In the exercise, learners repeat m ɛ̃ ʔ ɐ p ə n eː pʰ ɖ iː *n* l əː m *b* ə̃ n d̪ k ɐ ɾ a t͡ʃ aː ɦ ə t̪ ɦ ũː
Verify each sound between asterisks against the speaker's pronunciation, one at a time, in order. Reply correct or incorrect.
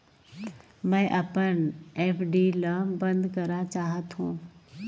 incorrect: none, correct

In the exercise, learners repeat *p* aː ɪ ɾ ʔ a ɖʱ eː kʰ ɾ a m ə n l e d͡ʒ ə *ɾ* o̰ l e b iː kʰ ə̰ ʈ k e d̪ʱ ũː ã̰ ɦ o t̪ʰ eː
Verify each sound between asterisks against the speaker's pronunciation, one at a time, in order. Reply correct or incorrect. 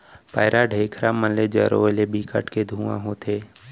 correct, correct

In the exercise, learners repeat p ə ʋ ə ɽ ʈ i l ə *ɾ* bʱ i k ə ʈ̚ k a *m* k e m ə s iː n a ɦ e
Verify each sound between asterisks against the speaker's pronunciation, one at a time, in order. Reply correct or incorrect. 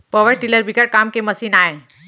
correct, correct

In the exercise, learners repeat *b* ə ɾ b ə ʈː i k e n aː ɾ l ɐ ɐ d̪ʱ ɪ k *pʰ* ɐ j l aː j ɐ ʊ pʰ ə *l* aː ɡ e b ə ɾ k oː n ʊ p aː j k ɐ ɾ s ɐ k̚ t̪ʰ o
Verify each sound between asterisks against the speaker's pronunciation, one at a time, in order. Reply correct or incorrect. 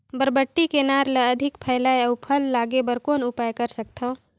correct, correct, incorrect: lː

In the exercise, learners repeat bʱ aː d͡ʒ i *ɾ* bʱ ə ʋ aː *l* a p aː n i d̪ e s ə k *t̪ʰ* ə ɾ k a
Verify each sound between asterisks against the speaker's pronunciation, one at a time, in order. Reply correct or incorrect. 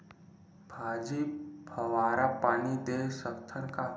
incorrect: none, incorrect: ɾ, correct

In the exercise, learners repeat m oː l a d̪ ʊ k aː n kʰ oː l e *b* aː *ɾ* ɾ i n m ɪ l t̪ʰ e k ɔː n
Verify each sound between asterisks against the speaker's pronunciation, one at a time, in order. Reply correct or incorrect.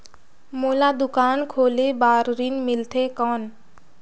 correct, correct

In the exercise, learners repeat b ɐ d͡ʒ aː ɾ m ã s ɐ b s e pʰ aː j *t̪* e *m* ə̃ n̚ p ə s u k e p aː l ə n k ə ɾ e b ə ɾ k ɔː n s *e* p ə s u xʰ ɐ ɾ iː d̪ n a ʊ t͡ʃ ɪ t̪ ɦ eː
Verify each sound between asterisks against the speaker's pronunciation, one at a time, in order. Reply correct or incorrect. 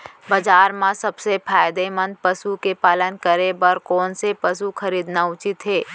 incorrect: d̪, correct, correct

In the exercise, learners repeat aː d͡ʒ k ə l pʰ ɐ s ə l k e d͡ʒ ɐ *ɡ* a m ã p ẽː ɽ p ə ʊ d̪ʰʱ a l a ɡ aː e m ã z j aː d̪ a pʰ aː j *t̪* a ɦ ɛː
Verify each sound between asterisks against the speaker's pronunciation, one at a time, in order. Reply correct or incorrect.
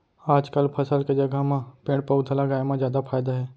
correct, incorrect: d̪

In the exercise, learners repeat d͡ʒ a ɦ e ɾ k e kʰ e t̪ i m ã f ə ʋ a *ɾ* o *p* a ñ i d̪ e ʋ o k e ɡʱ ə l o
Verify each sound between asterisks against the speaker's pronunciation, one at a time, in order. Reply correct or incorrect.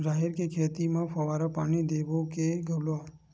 correct, correct

